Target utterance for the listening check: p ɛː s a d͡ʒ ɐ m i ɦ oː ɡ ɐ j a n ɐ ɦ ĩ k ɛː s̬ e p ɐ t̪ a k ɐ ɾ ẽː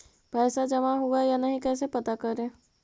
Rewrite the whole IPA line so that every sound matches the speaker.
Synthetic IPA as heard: p ɛː s a d͡ʒ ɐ m a ɦ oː ɡ a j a n ɐ ɦ ĩ k ɛː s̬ e p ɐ t̪ a k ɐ ɾ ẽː